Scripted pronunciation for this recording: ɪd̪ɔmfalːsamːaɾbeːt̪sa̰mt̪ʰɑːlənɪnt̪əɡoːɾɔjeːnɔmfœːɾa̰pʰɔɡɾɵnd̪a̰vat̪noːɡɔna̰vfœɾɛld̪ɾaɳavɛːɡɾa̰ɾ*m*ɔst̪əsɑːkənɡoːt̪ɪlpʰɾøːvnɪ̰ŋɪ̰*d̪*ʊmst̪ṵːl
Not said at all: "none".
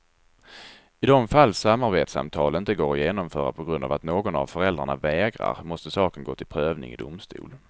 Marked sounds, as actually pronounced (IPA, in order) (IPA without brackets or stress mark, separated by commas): m, d̪